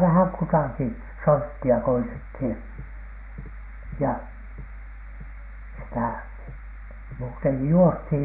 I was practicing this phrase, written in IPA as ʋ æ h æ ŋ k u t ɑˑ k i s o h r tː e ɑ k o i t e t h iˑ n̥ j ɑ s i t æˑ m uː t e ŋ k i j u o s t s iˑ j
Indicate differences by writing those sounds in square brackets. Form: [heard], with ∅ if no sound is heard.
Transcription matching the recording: ʋ æ h æ ŋ k u t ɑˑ k i s o [∅] r tː [i] ɑ k o i t e t h iˑ n̥ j ɑ s i t æˑ m uː t e ŋ k i j u o s t [h] iˑ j